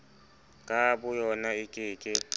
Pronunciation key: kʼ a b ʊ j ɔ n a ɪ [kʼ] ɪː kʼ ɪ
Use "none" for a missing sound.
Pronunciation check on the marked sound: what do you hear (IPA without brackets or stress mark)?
kʼ